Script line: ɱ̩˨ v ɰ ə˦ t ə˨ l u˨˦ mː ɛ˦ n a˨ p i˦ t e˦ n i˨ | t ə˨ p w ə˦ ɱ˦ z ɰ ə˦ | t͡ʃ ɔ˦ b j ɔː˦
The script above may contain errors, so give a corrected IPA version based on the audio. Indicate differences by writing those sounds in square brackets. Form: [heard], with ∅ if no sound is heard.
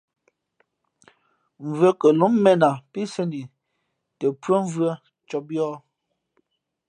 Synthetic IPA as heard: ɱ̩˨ v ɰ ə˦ [k] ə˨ l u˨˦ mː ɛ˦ n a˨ p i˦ [s] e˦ n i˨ | t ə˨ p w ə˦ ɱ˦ [v] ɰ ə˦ | t͡ʃ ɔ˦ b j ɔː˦